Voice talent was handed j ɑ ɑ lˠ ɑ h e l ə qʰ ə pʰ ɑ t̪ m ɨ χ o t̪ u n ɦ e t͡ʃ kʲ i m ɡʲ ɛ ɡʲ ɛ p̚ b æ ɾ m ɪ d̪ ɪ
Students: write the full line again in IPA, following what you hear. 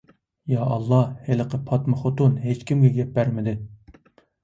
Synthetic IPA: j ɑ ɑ lˠː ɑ h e l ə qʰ ə pʰ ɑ t̪ m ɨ χ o t̪ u n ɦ e t͡ʃ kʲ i m ɡʲ ɛ ɡʲ ɛ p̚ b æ ɾ m ɪ d̪ ɪ